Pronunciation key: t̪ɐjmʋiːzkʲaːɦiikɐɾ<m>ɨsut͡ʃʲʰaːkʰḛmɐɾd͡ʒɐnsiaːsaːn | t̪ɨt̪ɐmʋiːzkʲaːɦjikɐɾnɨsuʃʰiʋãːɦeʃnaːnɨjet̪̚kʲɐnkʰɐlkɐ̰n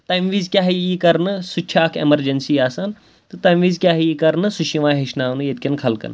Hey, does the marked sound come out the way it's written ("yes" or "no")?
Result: no